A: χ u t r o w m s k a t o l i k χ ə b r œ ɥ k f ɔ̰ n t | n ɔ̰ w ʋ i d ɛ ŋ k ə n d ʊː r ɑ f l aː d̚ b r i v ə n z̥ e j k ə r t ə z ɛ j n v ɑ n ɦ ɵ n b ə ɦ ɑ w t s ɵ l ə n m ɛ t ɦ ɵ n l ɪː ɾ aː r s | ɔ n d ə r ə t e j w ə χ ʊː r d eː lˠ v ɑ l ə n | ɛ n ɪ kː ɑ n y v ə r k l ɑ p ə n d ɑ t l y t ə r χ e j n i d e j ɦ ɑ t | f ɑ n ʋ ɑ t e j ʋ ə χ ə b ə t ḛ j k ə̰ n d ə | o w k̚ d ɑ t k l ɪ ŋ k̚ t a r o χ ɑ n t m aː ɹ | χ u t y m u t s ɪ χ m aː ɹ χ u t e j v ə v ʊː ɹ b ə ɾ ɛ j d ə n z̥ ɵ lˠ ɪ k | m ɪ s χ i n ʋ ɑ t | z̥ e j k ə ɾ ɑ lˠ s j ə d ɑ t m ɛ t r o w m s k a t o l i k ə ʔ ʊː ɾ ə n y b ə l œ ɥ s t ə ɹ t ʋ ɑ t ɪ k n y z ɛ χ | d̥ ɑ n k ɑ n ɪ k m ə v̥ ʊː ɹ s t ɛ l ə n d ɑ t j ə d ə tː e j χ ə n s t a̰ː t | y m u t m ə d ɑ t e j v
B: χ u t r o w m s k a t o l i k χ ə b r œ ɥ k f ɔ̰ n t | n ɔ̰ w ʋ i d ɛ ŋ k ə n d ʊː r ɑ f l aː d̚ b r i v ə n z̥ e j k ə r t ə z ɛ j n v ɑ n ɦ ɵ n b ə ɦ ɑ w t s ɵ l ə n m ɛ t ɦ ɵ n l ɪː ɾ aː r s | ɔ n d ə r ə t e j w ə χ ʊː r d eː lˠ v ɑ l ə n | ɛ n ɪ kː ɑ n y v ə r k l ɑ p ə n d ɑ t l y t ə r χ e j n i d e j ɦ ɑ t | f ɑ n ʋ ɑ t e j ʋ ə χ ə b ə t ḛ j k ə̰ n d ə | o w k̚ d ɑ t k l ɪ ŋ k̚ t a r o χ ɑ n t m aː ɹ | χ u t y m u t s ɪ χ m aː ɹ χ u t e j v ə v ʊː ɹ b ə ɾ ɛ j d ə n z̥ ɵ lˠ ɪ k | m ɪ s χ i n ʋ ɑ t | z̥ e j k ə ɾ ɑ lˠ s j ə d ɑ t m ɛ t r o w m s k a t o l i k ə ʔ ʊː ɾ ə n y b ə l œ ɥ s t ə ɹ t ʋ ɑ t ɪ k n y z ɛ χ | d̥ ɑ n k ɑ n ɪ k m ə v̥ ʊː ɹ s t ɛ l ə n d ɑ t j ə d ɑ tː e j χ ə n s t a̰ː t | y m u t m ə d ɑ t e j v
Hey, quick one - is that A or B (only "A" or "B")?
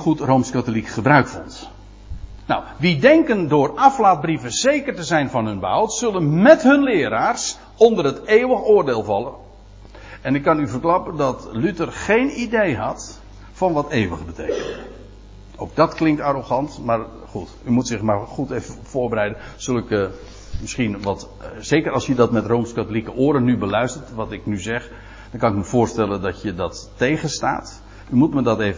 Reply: B